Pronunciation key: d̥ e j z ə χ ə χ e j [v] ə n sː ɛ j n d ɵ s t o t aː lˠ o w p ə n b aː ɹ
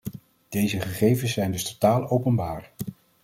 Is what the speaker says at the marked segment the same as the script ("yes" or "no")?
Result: yes